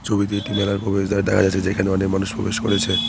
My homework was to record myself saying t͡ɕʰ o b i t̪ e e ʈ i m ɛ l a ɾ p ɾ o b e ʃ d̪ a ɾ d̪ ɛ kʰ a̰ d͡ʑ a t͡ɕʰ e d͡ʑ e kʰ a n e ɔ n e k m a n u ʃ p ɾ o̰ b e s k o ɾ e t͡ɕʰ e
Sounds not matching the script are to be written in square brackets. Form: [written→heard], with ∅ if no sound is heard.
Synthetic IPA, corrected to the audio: t͡ɕʰ o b i t̪ e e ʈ i m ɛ l a ɾ p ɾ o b e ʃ d̪ a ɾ d̪ ɛ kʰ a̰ d͡ʑ a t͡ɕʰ e d͡ʑ e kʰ a n e ɔ n e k m a n u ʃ p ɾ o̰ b e [s→ʃ] k o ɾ e t͡ɕʰ e